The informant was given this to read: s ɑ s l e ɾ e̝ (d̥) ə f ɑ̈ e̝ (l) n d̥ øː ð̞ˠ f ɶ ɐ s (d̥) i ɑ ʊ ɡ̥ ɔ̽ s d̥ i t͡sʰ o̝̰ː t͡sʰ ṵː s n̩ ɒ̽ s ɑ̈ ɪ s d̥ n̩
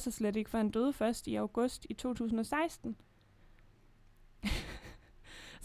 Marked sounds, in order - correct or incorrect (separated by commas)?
incorrect, incorrect, correct